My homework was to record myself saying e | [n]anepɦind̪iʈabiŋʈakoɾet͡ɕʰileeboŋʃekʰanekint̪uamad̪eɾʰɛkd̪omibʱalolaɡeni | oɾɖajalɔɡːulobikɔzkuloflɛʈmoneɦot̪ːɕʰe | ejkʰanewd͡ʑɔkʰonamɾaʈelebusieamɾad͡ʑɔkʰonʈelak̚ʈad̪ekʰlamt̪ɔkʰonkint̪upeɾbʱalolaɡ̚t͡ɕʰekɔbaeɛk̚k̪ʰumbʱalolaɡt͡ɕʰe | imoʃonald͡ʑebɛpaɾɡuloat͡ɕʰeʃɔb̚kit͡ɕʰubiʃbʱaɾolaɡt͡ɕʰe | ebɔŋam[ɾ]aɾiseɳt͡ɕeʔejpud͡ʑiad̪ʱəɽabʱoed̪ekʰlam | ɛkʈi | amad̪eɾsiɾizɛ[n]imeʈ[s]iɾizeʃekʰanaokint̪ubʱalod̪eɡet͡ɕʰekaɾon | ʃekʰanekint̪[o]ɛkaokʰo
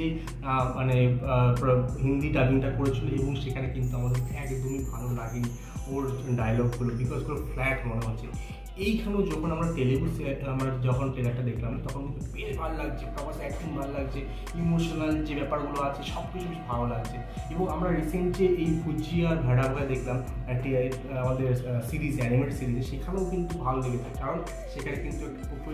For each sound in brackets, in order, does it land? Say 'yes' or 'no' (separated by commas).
no, yes, yes, yes, no